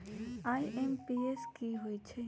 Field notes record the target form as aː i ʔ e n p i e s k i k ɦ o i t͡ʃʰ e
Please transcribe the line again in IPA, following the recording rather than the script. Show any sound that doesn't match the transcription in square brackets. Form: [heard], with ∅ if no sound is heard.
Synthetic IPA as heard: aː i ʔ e [m] p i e s k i [∅] ɦ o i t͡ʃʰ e